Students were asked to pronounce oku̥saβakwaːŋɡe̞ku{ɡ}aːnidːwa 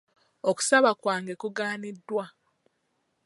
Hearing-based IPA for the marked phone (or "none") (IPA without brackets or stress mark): ɡ